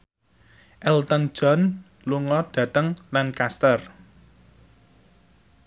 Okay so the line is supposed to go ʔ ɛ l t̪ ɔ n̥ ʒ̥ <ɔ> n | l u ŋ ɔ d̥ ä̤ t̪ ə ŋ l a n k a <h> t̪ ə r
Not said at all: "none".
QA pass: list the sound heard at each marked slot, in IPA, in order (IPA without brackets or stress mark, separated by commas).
ɔ, s